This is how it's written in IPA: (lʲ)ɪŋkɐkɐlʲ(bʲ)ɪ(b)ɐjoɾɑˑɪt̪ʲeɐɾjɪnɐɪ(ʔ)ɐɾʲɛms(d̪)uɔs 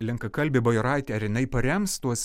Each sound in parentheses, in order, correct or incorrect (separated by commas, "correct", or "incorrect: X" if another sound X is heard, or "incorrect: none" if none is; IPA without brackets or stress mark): correct, correct, correct, incorrect: p, incorrect: t̪